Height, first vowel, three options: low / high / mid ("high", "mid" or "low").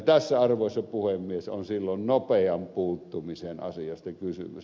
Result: low